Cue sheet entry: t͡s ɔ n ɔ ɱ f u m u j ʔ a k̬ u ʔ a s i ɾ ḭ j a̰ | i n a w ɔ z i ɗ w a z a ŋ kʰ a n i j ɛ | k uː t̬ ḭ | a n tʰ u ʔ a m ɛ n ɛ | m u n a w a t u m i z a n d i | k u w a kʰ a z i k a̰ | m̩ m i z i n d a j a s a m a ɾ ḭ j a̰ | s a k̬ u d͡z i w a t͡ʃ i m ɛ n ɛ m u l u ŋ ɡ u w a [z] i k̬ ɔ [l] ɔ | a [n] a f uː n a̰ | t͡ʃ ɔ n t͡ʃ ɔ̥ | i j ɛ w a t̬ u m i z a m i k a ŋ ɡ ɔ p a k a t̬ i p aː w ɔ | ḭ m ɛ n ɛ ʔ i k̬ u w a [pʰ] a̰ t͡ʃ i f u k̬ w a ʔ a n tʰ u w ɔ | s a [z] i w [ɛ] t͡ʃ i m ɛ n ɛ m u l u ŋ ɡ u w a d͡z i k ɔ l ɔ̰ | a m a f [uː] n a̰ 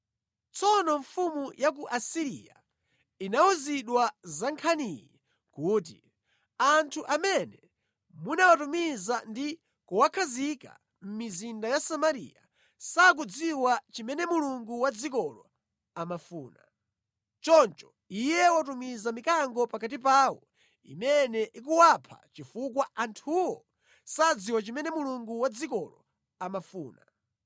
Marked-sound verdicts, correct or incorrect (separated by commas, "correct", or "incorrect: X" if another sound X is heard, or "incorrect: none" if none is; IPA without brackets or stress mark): incorrect: d͡z, correct, incorrect: m, correct, incorrect: d͡z, incorrect: a, correct